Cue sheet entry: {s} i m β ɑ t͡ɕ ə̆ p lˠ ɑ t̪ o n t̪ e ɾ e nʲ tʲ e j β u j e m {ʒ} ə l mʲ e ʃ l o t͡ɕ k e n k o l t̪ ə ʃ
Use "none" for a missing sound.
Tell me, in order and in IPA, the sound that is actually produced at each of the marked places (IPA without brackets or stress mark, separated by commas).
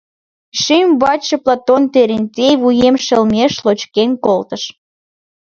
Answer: ʃ, ʃ